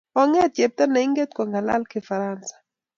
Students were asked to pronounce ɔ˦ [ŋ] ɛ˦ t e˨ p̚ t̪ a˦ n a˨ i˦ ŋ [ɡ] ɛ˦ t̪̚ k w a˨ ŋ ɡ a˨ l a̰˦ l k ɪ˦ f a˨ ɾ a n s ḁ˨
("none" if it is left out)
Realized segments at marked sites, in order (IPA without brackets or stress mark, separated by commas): ŋ, ɡ